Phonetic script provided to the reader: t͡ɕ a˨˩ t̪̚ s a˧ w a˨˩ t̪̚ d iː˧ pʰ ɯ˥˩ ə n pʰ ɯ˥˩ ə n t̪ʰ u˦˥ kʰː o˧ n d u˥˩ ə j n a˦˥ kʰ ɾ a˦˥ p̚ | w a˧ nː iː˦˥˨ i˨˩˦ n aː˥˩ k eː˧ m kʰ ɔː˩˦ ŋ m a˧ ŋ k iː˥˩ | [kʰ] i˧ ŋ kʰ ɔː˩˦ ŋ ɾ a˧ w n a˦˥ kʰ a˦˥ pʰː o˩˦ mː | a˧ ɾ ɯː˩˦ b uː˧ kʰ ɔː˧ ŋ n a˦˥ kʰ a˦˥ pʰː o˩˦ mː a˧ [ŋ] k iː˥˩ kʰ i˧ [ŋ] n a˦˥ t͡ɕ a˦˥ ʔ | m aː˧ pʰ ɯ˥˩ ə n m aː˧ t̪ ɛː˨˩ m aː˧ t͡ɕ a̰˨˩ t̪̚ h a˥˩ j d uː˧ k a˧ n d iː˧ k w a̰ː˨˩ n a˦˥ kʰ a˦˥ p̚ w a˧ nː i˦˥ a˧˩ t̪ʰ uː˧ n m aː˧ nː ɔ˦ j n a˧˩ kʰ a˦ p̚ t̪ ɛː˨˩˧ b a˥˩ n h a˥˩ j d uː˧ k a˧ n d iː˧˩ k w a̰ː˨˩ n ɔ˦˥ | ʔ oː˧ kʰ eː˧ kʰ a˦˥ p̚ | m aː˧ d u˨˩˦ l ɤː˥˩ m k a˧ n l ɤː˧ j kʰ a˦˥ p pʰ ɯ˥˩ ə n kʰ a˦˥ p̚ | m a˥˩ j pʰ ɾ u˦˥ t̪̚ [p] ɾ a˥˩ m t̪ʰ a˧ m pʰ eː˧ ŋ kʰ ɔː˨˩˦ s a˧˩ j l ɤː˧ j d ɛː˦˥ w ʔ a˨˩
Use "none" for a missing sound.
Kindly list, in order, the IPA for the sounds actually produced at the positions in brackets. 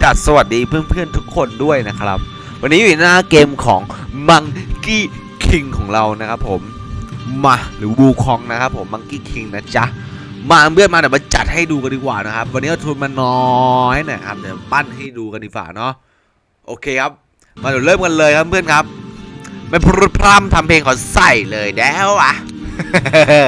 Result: kʰ, ŋ, ŋ, pʰ

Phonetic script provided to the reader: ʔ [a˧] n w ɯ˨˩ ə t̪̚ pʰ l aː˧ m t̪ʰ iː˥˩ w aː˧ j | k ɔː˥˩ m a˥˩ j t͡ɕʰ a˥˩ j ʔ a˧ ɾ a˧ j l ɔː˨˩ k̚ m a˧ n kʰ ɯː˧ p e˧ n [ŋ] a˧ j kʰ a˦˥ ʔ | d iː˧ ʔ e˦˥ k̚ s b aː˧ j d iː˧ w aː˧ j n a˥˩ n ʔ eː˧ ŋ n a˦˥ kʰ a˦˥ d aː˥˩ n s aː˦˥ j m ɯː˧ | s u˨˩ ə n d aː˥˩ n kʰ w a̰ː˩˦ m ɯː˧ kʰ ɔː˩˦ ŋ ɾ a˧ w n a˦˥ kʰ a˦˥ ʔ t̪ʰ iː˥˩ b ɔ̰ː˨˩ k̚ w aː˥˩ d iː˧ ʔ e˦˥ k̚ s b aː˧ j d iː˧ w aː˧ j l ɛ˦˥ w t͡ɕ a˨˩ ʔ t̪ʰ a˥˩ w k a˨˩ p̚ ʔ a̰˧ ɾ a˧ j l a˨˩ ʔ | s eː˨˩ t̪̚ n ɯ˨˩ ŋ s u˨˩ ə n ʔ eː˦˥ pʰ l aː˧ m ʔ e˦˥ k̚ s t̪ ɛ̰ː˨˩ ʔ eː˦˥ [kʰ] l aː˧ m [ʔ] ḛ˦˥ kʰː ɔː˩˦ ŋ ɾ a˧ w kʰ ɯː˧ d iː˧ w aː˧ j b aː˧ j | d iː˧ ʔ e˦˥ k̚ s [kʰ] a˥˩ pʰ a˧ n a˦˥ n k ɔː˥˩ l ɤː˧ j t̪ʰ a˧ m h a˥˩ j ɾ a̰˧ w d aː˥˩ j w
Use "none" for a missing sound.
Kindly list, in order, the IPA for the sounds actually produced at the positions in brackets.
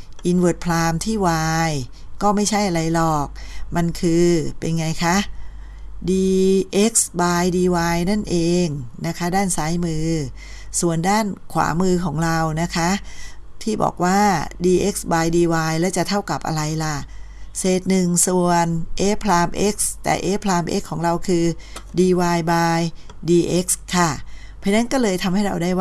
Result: i˧, ŋ, pʰ, ʔ, kʰ

